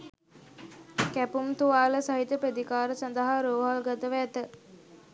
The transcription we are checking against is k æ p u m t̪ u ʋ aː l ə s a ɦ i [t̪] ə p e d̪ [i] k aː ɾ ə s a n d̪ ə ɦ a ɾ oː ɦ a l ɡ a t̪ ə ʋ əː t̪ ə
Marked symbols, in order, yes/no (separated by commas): yes, yes